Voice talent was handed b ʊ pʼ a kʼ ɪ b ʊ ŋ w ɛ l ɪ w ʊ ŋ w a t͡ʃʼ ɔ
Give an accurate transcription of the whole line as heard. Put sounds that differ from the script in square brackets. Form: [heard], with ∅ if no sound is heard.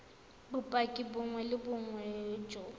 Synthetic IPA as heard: b ʊ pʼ a kʼ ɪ b ʊ ŋ w ɛ l ɪ [b] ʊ ŋ w [ɛ] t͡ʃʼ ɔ